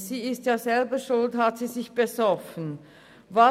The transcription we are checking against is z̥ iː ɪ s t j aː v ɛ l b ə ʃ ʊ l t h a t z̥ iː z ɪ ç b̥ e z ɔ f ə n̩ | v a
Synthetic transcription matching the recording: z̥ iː ɪ s t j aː z ɛ l b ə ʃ ʊ l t h a t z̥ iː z ɪ ç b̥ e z ɔ f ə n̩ | v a